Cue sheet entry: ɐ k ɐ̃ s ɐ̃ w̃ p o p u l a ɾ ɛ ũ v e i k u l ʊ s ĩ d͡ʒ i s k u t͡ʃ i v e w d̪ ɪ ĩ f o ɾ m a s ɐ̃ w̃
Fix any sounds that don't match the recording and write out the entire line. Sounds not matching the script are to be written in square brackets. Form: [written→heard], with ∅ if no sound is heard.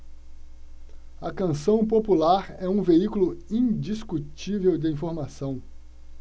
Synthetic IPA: ɐ k ɐ̃ s ɐ̃ w̃ p o p u l a ɾ ɛ ũ v e i k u l ʊ [s→∅] ĩ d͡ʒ i s k u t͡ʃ i v e w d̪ ɪ ĩ f o ɾ m a s ɐ̃ w̃